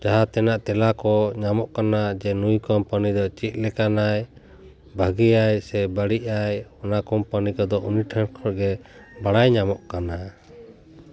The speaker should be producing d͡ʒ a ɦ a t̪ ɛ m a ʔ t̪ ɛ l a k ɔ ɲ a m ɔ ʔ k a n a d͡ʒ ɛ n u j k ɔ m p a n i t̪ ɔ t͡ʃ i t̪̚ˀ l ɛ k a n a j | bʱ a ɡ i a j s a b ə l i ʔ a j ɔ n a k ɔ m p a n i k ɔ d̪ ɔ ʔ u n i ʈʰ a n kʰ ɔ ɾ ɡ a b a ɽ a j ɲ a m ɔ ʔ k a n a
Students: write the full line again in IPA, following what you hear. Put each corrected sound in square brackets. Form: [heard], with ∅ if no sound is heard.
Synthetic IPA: d͡ʒ a ɦ a t̪ ɛ [n] a ʔ t̪ ɛ l a k ɔ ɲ a m ɔ ʔ k a n a d͡ʒ ɛ n u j k ɔ m p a n i [d̪] ɔ t͡ʃ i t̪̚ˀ l ɛ k a n a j | bʱ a ɡ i a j s [ɛ] b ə [ɽ] i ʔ a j ɔ n a k ɔ m p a n i k ɔ d̪ ɔ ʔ u n i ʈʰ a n kʰ ɔ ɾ ɡ [ɛ] b a ɽ a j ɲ a m ɔ ʔ k a n a